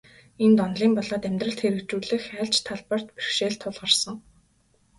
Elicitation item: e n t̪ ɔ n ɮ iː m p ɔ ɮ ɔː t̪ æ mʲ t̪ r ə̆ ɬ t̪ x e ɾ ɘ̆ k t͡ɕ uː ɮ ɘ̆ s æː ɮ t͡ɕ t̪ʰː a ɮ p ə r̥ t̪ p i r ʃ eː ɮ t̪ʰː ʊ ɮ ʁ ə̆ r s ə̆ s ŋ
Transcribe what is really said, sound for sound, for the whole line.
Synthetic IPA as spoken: e n t̪ ɔ n ɮ iː m p ɔ ɮ ɔː t̪ æ mʲ t̪ r ə̆ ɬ t̪ x e ɾ ɘ̆ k t͡ɕ uː ɮ ɘ̆ x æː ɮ t͡ɕ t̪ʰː a ɮ p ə r̥ t̪ p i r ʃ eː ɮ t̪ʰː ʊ ɮ ʁ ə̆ r s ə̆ ŋ